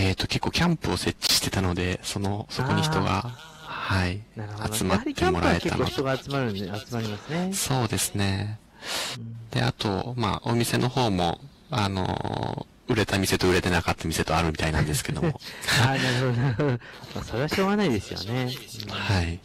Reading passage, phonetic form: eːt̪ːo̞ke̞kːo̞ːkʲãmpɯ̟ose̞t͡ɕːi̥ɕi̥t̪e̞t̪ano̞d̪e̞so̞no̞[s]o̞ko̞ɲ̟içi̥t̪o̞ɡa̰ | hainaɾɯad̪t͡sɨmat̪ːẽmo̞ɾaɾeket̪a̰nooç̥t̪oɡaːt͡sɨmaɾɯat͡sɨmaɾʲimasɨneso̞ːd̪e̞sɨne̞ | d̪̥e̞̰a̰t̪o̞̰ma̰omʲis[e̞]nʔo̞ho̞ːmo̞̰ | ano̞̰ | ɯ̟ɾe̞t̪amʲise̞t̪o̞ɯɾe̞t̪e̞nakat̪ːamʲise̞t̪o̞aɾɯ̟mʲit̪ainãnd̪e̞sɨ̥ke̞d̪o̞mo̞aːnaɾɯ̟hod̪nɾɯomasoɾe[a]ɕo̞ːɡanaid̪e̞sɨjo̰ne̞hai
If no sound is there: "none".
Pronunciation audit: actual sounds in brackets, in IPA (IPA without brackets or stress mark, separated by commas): s, e̞, a